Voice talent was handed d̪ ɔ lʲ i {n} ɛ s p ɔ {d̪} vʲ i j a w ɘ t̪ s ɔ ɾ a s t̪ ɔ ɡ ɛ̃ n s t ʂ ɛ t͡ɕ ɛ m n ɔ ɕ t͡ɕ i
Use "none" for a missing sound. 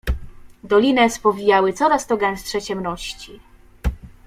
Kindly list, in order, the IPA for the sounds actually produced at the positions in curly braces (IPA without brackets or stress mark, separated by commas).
n, none